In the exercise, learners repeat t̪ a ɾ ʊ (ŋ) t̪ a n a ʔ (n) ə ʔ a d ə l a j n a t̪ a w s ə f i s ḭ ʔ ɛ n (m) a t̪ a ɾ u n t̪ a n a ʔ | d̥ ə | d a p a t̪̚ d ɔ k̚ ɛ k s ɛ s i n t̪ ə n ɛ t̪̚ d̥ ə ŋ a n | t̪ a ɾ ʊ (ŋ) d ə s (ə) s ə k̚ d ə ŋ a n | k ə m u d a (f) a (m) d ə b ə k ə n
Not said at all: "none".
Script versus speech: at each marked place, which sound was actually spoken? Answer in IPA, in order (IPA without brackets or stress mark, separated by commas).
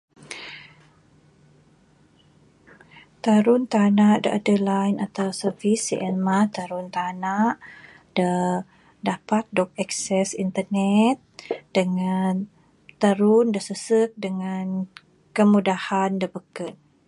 n, d, m, n, ə, h, n